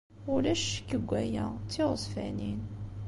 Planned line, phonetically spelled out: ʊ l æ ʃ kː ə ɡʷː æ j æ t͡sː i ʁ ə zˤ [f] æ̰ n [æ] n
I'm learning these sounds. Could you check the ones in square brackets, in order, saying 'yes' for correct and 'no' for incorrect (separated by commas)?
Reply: yes, no